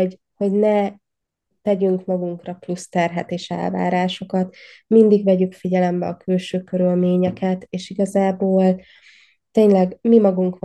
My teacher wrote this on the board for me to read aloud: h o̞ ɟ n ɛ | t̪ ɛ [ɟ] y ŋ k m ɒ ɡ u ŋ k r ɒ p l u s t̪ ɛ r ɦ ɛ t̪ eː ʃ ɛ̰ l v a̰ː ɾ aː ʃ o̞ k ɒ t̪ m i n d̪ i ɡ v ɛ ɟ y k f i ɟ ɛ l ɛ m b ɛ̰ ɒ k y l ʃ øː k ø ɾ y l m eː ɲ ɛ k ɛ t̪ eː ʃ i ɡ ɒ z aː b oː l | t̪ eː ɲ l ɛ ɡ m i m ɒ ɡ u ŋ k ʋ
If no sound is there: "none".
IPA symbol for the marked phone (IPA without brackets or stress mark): ɟ